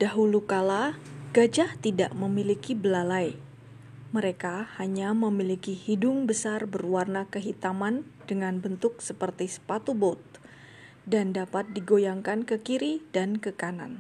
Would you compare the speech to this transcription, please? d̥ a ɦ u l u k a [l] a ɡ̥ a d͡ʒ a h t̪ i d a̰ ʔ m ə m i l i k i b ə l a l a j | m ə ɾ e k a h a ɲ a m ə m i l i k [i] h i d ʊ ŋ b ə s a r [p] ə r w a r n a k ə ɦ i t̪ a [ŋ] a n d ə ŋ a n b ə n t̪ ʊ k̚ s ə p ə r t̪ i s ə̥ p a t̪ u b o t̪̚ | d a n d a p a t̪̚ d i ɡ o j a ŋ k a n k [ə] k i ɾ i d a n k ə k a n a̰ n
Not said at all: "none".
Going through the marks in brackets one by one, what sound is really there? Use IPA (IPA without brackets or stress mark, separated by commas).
l, i, b, m, ə